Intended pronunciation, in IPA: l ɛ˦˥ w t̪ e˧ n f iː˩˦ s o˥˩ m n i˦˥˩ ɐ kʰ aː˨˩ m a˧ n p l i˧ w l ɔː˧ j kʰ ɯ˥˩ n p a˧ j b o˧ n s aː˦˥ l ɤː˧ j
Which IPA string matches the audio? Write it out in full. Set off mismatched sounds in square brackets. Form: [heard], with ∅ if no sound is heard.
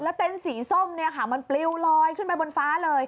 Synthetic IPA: l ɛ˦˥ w t̪ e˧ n [s] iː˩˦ s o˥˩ m n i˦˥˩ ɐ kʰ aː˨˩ m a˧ n p l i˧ w l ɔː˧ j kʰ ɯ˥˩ n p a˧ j b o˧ n [f] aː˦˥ l ɤː˧ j